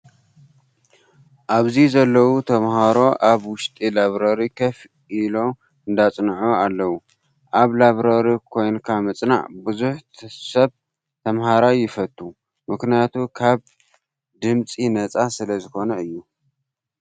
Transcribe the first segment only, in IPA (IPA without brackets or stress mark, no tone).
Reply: ʔ